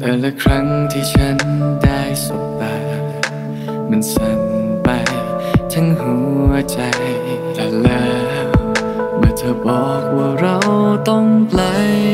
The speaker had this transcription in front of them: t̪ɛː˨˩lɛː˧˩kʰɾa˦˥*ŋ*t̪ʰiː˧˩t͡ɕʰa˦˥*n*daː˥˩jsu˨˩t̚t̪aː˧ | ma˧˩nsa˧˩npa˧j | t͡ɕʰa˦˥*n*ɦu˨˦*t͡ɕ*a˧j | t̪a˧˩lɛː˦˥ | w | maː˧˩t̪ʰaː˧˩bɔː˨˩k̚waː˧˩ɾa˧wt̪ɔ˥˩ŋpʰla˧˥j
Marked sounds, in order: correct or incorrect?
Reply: correct, correct, correct, correct

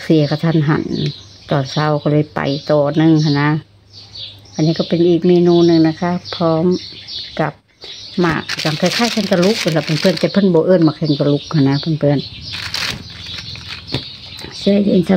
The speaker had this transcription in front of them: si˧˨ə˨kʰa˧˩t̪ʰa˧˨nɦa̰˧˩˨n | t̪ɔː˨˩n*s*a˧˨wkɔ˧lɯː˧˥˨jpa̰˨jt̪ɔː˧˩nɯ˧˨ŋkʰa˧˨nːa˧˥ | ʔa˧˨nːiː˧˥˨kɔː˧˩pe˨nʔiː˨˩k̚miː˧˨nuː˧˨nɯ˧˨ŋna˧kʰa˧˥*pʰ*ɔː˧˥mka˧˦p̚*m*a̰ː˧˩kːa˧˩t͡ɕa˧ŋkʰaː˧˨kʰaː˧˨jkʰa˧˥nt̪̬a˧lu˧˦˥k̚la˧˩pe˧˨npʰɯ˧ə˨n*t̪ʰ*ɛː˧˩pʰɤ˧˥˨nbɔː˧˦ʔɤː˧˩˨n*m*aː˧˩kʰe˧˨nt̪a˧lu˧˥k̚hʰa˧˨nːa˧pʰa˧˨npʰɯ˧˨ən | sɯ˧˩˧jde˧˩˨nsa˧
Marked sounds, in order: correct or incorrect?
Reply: correct, correct, correct, incorrect, correct

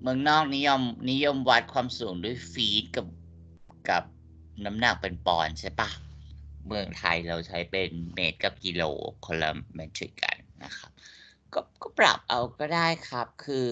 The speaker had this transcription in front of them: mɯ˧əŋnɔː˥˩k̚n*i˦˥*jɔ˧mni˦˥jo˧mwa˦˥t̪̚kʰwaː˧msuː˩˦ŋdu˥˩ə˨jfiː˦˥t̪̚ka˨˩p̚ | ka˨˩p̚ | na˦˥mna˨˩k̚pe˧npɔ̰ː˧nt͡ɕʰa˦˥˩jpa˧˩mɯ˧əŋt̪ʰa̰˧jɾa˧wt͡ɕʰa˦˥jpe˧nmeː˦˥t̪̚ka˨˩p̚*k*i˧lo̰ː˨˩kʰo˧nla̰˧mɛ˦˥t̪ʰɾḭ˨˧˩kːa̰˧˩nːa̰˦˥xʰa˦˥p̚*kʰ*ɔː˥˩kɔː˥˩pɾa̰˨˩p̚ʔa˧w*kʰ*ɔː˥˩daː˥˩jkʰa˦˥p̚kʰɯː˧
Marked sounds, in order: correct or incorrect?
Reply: correct, correct, incorrect, incorrect

